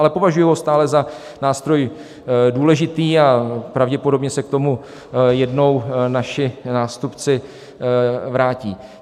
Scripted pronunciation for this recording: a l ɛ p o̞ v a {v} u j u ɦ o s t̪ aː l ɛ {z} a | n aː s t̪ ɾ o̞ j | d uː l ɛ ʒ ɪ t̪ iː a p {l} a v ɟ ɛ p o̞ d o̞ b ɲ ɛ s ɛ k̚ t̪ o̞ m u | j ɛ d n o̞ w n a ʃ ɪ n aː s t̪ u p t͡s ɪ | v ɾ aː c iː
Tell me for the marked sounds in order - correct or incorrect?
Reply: incorrect, correct, incorrect

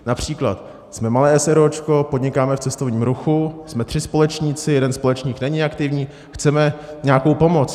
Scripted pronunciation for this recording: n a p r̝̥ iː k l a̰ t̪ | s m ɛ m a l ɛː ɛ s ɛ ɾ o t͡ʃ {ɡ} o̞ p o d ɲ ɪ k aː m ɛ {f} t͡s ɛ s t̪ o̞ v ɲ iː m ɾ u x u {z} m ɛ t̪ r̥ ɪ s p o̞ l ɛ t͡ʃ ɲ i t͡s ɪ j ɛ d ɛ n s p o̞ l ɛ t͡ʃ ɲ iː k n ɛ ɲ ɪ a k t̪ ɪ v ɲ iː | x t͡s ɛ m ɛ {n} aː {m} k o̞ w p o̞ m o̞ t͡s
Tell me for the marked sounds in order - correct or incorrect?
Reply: incorrect, correct, incorrect, incorrect, incorrect

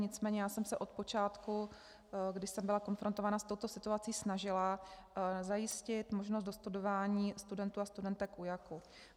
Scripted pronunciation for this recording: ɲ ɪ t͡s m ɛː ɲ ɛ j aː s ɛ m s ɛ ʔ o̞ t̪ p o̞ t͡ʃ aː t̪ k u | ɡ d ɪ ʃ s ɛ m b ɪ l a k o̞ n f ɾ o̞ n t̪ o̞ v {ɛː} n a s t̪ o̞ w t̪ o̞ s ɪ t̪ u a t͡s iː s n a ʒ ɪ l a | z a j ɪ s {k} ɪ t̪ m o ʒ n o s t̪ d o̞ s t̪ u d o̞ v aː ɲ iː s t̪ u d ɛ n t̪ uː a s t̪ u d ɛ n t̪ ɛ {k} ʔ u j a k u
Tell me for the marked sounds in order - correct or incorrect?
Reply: incorrect, incorrect, correct

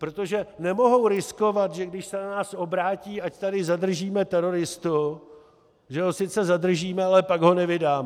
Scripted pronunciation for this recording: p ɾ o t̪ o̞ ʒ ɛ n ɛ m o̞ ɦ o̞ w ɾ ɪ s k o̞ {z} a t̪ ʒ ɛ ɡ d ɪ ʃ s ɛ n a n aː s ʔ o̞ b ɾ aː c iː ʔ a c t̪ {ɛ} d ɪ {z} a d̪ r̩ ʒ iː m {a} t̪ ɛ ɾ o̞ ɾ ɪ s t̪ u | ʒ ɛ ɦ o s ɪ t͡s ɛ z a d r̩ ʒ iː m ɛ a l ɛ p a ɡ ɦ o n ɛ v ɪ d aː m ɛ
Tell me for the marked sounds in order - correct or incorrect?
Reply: incorrect, incorrect, correct, incorrect

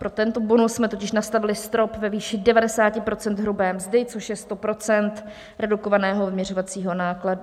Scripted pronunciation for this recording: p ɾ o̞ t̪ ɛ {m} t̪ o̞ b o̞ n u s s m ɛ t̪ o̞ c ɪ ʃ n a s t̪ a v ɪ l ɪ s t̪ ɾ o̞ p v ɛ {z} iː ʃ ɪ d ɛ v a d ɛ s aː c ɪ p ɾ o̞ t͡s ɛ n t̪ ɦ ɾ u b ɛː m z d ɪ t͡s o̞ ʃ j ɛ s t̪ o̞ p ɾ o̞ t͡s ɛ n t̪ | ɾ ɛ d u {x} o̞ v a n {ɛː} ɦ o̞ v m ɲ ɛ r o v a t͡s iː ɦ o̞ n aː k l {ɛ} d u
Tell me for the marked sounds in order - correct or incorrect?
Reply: incorrect, incorrect, incorrect, correct, incorrect

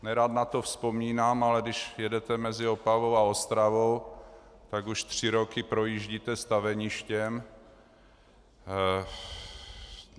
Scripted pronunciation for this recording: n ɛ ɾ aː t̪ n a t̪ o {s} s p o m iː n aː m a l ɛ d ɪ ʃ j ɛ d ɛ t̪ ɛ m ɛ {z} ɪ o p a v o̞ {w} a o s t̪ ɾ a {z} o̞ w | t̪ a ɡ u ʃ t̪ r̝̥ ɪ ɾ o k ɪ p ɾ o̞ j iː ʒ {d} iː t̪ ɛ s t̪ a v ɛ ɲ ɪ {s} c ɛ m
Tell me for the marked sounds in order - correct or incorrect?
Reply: incorrect, correct, correct, incorrect, incorrect, incorrect

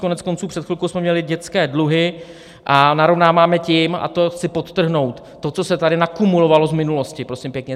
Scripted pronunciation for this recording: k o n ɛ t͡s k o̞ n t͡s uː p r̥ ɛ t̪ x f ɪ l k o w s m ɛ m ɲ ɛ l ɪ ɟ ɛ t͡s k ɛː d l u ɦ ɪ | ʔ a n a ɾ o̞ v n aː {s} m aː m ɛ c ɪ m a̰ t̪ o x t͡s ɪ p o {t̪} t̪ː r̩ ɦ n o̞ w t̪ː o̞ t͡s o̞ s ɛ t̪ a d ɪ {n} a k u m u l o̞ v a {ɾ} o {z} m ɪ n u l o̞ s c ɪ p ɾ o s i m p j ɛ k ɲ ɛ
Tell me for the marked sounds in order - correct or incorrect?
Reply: incorrect, correct, correct, incorrect, correct

